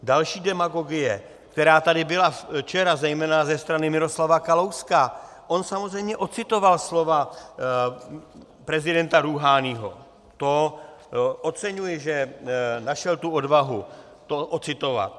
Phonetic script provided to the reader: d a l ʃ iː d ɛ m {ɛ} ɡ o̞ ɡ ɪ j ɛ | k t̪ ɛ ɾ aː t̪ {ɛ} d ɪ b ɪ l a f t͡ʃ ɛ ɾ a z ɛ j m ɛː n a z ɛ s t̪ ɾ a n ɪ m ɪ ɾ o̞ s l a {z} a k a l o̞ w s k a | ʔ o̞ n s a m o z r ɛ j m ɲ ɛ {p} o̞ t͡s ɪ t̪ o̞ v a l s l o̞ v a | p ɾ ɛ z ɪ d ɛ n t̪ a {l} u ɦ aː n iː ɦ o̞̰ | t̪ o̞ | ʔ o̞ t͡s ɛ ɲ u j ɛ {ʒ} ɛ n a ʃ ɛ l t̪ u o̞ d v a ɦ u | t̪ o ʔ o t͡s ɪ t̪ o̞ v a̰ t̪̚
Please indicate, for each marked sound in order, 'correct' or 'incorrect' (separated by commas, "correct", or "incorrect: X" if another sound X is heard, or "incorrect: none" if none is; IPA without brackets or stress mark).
incorrect: a, incorrect: a, incorrect: v, incorrect: ʔ, incorrect: ɾ, correct